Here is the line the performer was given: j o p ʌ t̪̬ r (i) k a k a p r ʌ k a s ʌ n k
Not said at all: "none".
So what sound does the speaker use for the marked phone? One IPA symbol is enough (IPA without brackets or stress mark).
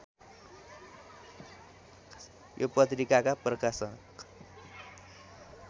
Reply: i